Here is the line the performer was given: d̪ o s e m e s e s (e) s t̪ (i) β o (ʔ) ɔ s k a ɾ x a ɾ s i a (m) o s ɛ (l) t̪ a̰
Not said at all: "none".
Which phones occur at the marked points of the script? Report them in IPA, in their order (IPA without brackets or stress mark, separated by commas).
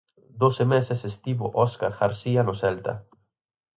e, i, ʔ, n, l